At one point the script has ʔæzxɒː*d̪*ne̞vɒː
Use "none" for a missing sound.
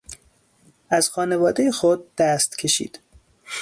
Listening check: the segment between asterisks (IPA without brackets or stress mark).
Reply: none